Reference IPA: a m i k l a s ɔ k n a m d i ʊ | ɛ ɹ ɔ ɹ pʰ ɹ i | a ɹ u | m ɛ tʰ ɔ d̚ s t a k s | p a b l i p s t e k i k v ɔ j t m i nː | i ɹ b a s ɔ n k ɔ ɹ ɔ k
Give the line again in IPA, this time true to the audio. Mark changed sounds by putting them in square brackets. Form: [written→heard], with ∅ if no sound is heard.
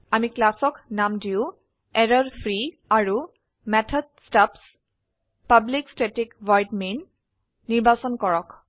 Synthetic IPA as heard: a m i k l a s ɔ k n a m d i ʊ | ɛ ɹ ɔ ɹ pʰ ɹ i | a ɹ u | m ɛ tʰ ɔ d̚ s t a [k→p] s | p a b l i [p→k] s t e [k→t] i k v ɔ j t m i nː | i ɹ b a s ɔ n k ɔ ɹ ɔ k